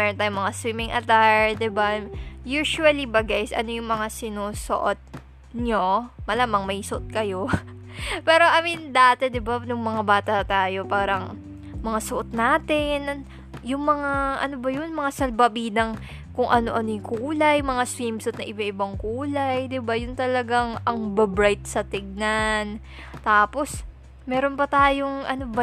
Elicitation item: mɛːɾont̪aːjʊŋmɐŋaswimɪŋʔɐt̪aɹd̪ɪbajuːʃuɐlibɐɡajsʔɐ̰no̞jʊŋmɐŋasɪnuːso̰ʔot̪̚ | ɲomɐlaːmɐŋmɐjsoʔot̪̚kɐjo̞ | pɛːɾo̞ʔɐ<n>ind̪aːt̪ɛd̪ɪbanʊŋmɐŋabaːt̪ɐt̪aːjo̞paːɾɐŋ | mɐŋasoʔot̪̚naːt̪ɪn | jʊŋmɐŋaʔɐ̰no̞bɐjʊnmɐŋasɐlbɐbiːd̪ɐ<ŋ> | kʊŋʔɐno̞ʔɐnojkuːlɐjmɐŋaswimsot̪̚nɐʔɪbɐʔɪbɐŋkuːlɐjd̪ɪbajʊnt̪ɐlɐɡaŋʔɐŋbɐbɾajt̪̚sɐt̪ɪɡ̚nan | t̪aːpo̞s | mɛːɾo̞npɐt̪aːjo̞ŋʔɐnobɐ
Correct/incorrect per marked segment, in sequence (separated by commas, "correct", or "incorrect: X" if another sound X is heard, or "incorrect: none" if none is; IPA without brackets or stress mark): incorrect: m, correct